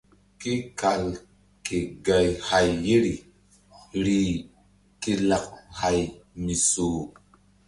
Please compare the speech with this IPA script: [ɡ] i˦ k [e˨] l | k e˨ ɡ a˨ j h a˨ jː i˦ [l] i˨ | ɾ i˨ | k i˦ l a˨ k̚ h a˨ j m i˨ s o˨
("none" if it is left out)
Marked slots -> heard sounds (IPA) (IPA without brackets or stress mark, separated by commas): k, a˨, ɾ